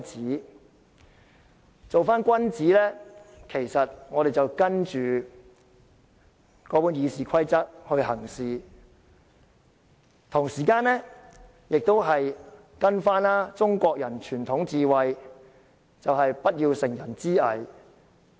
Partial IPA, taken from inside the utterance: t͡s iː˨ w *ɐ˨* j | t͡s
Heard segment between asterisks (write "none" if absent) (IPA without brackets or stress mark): ɐ˨